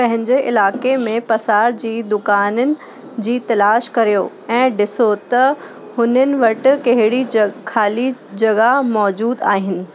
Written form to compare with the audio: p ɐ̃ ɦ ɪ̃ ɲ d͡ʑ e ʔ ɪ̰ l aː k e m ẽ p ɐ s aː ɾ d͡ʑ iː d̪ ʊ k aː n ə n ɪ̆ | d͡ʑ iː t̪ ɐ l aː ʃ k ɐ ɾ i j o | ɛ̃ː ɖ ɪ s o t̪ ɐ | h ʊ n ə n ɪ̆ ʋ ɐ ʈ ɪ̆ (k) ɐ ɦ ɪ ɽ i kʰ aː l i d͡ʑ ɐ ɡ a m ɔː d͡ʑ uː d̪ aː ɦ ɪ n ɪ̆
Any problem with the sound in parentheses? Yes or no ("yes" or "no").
no